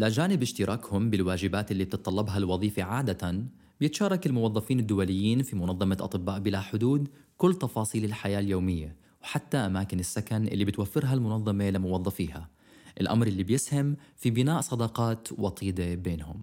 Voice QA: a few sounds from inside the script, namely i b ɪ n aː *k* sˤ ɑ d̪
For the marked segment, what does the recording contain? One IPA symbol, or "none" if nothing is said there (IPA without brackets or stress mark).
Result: ʔ